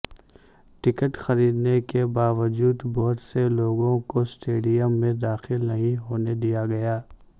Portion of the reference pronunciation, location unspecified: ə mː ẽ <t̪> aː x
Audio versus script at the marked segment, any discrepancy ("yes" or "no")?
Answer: yes